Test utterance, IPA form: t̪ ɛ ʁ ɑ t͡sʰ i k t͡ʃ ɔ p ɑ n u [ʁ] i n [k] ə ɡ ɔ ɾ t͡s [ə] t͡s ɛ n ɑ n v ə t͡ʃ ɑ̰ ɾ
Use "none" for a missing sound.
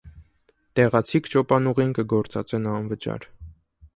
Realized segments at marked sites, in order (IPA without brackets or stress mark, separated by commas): ʁ, k, ɑ